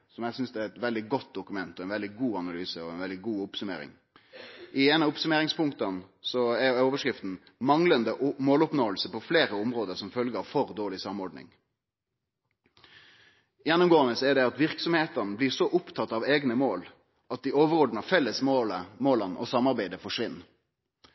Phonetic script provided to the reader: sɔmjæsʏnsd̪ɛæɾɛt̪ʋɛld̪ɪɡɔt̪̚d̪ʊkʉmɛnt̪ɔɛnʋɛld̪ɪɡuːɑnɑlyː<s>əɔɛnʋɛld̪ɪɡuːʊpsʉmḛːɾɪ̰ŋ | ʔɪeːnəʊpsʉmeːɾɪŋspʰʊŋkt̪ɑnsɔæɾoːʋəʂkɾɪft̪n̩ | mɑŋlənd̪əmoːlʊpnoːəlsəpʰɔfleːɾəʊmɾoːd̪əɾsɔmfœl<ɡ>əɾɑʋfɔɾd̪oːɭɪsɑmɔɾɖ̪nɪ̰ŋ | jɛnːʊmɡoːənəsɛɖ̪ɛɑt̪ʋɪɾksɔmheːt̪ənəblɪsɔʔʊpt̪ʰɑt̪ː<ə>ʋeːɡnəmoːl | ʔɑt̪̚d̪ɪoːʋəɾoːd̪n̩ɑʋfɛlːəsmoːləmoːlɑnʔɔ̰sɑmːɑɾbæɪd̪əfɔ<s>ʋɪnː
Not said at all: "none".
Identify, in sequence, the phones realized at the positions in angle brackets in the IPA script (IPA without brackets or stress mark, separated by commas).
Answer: s, ɡ, ɑ, ʂ